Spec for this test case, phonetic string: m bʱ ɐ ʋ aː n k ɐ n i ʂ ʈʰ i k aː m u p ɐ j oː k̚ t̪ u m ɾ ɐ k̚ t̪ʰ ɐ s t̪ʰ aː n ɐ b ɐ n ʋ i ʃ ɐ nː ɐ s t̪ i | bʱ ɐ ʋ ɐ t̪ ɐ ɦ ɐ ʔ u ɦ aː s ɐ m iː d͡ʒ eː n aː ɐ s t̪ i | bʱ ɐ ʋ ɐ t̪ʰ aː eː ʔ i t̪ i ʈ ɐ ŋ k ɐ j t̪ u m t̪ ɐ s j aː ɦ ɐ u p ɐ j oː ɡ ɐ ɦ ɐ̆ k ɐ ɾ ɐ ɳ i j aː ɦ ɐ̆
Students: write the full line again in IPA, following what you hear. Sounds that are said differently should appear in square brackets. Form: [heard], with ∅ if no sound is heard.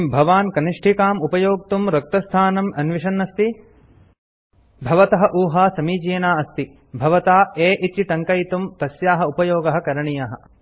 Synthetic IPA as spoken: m bʱ ɐ ʋ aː n k ɐ n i ʂ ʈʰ i k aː m u p ɐ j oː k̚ t̪ u m ɾ ɐ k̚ [t̪] ɐ s t̪ʰ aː n ɐ [m] ɐ n ʋ i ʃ ɐ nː ɐ s t̪ i | bʱ ɐ ʋ ɐ t̪ ɐ ɦ ɐ ʔ [uː] ɦ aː s ɐ m iː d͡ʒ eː n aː ɐ s t̪ i | bʱ ɐ ʋ ɐ [t̪] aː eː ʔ i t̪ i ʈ ɐ ŋ k ɐ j t̪ u m t̪ ɐ s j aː ɦ ɐ u p ɐ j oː ɡ ɐ ɦ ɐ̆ k ɐ ɾ ɐ ɳ i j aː ɦ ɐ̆